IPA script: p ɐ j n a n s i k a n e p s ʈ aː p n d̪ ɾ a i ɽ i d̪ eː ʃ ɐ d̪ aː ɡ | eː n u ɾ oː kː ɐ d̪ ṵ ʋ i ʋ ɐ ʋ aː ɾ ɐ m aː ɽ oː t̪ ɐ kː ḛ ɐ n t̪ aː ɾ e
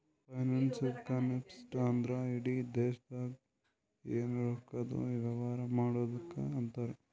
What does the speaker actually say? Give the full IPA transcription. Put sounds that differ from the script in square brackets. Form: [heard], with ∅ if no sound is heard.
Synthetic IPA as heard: p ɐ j n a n s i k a n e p s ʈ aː [∅] n d̪ ɾ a i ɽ i d̪ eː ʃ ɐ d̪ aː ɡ | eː n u ɾ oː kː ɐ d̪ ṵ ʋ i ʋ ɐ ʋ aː ɾ ɐ m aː ɽ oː [d̪] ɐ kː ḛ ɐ n t̪ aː ɾ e